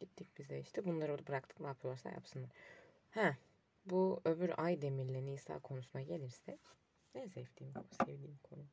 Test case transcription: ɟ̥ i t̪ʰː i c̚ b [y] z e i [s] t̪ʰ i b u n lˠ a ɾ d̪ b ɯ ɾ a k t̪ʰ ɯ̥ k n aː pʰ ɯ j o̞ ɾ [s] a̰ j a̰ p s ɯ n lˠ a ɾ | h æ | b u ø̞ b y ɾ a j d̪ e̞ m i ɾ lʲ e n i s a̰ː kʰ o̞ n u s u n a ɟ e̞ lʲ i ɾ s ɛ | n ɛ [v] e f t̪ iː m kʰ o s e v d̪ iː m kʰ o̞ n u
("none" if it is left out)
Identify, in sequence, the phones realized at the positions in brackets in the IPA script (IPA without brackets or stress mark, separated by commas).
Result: i, ʃ, s, z